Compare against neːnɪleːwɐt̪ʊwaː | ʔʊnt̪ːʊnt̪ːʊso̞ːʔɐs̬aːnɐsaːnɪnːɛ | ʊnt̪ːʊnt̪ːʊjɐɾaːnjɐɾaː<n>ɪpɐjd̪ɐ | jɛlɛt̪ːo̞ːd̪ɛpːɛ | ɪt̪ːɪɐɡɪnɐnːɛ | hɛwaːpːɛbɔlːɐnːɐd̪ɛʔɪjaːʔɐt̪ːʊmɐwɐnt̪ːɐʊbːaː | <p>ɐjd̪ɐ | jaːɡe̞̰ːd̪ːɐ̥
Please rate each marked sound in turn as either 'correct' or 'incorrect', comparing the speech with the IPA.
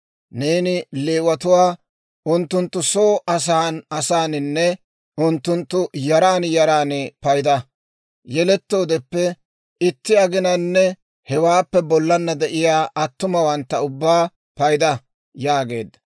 correct, correct

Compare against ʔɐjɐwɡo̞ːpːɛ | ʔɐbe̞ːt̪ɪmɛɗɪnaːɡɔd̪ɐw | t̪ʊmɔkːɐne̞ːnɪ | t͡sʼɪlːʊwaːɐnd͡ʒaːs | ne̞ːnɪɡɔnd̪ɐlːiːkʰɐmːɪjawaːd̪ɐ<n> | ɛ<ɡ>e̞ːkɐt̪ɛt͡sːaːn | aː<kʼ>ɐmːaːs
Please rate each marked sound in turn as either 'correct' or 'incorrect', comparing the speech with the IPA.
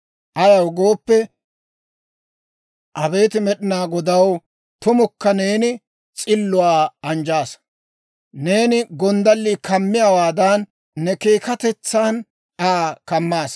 incorrect, incorrect, incorrect

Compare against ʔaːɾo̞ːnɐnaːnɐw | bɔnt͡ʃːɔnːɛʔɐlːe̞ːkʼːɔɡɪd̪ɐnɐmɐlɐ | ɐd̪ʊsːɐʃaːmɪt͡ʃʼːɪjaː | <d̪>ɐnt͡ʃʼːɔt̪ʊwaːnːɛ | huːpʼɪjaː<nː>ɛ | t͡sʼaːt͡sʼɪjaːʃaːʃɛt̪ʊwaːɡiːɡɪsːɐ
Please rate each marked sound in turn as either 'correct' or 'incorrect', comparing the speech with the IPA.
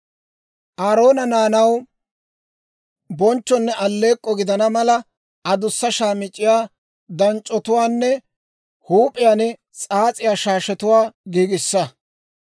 correct, incorrect

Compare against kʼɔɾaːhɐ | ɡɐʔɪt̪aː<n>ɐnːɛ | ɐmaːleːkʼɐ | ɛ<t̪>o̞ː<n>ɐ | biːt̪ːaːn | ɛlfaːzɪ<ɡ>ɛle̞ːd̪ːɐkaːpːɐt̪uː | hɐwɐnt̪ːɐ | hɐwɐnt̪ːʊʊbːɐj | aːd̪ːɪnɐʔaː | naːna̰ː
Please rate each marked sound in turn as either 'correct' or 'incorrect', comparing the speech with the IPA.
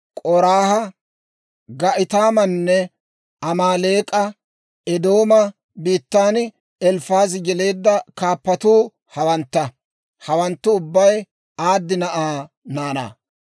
incorrect, incorrect, incorrect, correct

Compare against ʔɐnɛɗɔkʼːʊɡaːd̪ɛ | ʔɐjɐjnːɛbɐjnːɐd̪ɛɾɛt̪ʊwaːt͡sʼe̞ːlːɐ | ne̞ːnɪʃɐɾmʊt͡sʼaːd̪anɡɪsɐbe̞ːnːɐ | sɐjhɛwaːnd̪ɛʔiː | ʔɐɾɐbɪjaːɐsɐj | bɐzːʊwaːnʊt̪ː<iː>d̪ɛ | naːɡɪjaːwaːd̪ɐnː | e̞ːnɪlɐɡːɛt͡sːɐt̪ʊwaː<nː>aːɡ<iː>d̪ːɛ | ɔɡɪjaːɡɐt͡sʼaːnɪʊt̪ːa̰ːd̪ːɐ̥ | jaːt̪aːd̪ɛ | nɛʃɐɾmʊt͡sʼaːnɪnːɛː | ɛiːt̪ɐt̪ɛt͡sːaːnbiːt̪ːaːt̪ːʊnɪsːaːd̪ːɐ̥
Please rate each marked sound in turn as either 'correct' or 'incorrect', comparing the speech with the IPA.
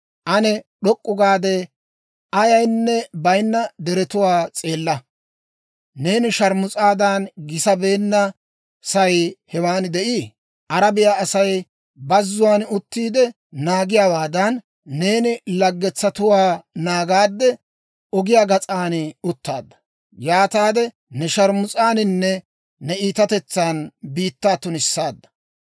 correct, incorrect, incorrect

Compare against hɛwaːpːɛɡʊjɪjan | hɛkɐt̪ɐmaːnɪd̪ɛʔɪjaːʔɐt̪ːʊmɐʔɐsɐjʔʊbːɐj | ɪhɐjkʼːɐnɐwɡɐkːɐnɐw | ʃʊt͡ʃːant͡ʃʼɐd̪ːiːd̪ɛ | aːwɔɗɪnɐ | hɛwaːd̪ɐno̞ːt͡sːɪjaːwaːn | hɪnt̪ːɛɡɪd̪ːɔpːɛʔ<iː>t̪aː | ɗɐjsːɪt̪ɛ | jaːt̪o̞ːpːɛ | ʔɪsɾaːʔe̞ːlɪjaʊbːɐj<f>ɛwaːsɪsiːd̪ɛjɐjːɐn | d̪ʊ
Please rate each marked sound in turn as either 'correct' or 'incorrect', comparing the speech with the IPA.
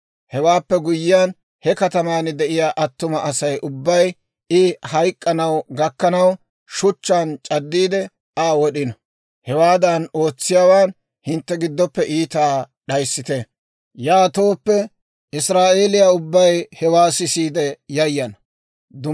correct, incorrect

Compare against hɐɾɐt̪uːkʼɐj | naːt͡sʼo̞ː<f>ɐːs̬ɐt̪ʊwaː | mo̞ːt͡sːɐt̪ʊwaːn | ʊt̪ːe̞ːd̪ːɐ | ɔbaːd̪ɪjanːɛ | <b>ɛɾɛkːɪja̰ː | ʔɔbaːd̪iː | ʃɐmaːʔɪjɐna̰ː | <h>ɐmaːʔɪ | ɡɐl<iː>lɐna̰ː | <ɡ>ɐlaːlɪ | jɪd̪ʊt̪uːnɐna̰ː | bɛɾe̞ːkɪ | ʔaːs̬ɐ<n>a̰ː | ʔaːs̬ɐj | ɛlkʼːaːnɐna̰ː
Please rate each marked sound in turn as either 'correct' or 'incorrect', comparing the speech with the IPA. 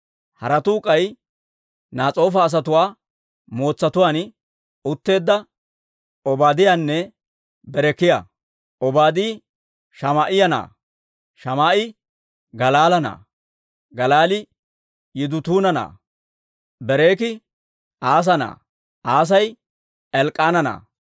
correct, correct, incorrect, incorrect, correct, correct

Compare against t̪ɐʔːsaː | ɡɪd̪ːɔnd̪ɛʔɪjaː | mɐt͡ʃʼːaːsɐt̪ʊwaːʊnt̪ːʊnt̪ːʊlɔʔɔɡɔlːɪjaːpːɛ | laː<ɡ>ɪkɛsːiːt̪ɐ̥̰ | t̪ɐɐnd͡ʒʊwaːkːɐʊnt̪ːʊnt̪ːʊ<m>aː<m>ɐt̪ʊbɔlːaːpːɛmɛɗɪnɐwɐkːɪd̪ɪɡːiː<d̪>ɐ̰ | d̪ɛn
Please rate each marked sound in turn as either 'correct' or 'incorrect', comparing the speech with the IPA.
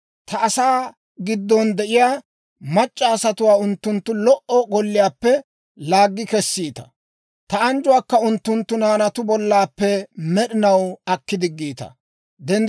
incorrect, incorrect, incorrect, incorrect

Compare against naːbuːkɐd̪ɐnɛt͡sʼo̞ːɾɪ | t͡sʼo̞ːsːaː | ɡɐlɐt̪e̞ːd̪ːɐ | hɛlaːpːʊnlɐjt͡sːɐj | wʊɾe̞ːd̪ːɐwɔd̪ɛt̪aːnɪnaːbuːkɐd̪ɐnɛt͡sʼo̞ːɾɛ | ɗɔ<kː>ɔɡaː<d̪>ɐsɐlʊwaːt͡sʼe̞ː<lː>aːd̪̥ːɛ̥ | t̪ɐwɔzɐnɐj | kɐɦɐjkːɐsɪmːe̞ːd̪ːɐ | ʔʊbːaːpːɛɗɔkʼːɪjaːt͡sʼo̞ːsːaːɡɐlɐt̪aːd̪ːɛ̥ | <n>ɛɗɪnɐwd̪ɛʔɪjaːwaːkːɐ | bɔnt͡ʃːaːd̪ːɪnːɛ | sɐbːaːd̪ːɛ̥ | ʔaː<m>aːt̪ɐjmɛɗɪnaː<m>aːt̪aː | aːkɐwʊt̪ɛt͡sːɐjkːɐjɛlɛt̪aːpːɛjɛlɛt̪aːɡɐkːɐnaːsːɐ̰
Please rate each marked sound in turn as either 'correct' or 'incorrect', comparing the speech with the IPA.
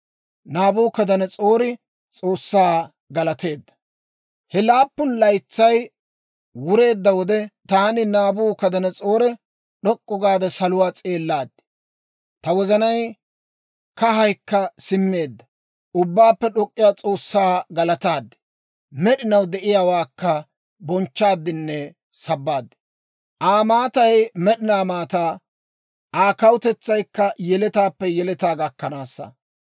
incorrect, correct, correct, incorrect, correct, correct

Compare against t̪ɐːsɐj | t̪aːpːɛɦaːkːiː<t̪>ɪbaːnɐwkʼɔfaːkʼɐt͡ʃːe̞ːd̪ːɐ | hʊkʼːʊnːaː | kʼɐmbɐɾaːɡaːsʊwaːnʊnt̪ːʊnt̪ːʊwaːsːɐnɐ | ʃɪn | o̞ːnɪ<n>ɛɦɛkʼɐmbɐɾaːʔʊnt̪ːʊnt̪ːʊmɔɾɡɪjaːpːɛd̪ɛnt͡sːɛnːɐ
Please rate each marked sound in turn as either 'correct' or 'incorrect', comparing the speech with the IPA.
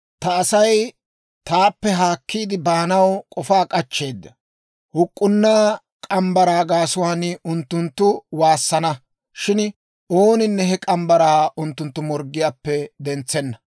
incorrect, incorrect

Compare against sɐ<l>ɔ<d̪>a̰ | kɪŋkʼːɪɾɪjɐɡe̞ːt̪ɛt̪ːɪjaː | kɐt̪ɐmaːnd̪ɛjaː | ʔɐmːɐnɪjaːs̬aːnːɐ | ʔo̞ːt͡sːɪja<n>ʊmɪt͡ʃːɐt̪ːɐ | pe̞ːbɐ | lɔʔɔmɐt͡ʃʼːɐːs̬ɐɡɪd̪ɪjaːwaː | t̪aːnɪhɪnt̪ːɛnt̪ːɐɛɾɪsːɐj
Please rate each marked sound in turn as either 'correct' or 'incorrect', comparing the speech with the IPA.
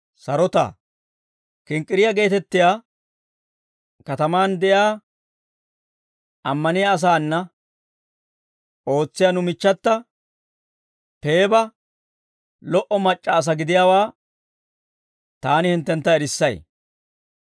incorrect, incorrect, correct

